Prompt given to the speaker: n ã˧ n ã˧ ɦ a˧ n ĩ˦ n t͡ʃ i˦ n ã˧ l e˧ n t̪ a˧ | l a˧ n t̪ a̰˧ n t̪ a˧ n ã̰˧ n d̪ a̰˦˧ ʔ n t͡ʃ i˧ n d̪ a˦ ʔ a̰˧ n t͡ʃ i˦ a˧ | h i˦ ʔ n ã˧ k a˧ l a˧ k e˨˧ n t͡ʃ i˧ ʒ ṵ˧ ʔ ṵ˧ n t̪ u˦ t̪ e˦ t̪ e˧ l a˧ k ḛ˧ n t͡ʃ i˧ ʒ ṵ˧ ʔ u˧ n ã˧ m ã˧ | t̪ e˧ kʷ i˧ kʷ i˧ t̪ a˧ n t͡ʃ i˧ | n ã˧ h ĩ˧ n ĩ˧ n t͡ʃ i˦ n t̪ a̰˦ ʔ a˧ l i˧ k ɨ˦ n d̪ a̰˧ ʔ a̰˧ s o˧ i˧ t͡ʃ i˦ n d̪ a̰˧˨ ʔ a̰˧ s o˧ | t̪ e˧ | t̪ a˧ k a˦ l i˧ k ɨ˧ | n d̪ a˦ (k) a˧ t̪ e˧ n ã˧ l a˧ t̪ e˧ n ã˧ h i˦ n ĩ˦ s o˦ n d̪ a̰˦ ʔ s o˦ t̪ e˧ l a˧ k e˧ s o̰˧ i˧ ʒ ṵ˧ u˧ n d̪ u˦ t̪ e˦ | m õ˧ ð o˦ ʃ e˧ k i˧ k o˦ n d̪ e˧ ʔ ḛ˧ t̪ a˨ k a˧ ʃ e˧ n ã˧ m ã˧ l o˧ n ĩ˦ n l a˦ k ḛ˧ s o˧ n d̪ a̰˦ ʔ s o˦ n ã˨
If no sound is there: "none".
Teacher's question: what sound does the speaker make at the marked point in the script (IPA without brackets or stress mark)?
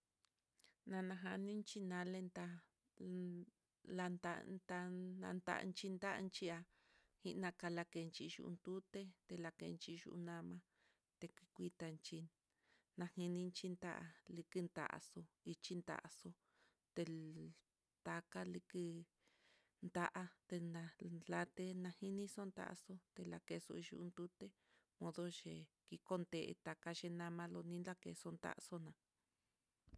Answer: ʔ